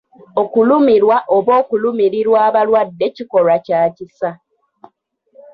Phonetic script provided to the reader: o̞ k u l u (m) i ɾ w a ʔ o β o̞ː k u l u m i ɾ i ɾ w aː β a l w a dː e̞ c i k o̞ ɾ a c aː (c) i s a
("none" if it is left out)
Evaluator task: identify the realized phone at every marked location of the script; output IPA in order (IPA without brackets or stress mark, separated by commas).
m, c